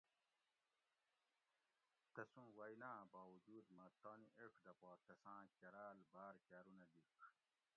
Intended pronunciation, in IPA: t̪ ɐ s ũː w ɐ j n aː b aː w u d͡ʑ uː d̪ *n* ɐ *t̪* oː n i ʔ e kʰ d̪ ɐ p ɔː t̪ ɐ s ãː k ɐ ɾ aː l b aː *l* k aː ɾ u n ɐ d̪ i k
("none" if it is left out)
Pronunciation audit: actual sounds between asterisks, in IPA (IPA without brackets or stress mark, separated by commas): m, t̪, ɾ